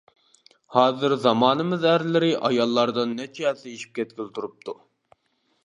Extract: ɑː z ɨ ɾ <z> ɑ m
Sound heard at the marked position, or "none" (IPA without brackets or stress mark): z